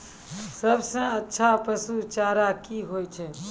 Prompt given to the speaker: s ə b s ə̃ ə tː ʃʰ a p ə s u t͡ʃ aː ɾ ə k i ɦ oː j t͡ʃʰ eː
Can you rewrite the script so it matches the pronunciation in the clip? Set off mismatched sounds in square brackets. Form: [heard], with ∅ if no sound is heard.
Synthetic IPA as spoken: s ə b s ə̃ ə tː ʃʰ a p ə s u t͡ʃ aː ɾ [a] k i ɦ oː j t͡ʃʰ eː